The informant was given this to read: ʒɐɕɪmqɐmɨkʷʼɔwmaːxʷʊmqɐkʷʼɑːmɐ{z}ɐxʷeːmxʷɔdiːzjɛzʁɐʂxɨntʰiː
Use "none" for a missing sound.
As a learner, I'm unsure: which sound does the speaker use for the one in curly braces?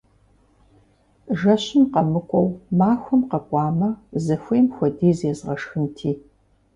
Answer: z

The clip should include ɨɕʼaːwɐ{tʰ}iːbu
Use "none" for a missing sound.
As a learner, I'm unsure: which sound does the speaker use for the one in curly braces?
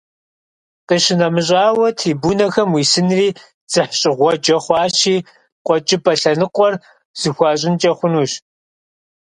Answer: tʰ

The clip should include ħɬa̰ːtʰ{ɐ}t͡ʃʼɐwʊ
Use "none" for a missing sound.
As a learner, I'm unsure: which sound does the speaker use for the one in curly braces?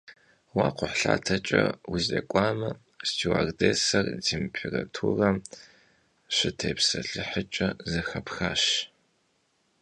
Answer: ɐ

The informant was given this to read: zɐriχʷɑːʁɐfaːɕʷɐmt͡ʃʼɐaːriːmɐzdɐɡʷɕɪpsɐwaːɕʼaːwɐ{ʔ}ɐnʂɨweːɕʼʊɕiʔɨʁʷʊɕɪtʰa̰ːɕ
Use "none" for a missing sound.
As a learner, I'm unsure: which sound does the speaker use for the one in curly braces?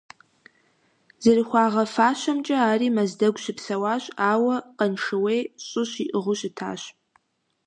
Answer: q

